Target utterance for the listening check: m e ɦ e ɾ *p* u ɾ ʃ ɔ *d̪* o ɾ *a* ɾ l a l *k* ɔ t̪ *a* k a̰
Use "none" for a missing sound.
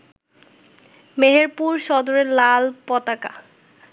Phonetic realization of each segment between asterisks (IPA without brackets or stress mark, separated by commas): p, d̪, e, p, a